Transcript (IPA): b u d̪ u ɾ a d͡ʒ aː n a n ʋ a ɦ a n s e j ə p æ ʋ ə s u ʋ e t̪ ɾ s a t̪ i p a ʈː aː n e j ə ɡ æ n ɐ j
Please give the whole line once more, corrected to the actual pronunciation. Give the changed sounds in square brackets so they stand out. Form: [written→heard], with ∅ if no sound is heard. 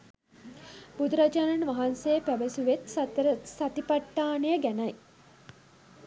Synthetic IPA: b u d̪ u ɾ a d͡ʒ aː n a n ʋ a ɦ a n s e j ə p æ ʋ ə s u ʋ e t̪ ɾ s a t̪ i p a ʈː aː n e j ə ɡ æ n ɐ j